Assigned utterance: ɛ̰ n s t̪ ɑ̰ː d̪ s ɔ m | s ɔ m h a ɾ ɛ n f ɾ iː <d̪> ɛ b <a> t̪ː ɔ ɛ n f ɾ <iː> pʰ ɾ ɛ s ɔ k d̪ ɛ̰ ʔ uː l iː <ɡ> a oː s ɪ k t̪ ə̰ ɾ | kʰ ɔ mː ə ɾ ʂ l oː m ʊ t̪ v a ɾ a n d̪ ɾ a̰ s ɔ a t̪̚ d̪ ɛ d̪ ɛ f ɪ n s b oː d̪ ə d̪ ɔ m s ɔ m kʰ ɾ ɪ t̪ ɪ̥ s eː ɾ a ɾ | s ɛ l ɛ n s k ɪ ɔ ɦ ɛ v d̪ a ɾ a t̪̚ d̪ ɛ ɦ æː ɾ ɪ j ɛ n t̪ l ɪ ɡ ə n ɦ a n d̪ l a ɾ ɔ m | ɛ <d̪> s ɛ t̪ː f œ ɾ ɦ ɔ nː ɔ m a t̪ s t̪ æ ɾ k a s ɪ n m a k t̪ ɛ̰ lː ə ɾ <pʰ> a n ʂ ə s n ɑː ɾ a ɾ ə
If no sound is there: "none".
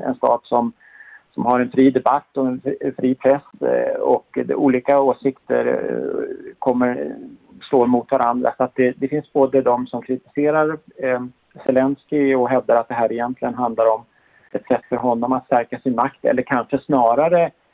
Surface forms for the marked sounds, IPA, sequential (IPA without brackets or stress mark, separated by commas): d̪, a, iː, k, t̪, kʰ